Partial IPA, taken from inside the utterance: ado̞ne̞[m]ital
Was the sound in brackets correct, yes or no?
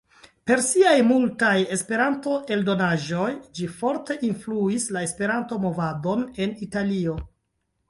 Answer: no